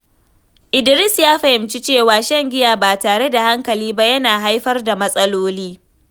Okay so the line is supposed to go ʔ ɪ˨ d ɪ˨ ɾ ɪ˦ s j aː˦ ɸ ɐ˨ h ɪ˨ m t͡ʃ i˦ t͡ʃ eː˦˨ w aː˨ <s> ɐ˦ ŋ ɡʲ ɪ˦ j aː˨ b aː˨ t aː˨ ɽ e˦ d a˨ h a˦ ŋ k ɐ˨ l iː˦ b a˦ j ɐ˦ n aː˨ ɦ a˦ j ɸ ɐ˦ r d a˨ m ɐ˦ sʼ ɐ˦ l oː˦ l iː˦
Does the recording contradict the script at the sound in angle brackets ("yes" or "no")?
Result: yes